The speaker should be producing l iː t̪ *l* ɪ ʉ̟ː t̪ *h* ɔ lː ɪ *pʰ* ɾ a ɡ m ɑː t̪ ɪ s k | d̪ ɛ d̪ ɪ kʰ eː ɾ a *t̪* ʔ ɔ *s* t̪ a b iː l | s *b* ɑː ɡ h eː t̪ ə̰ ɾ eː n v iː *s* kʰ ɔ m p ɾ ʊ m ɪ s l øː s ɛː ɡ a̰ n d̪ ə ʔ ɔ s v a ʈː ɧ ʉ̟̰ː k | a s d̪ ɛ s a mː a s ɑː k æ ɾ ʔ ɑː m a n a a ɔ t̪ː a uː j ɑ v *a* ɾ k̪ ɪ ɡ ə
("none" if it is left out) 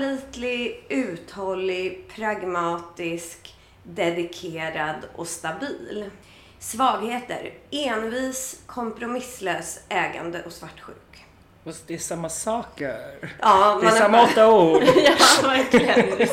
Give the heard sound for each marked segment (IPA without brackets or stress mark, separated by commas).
l, h, pʰ, d̪, s, v, s, æ